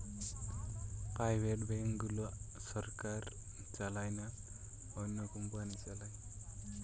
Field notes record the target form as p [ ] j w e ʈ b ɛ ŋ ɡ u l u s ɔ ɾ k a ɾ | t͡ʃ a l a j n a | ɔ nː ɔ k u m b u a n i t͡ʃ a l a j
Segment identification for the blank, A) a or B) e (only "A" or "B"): A